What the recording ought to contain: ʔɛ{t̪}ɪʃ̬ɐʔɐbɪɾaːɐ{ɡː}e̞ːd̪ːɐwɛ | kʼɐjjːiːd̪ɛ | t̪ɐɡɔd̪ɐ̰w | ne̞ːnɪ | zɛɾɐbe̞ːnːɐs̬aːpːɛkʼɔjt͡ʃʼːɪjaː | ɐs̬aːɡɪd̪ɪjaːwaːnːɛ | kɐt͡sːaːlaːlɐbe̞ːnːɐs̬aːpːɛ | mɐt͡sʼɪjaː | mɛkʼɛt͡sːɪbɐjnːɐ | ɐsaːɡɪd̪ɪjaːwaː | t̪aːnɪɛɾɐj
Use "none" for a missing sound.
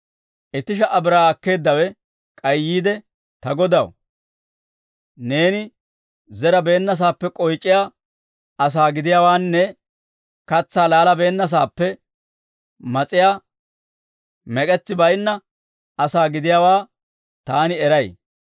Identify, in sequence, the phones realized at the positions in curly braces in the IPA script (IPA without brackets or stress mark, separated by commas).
t̪, kː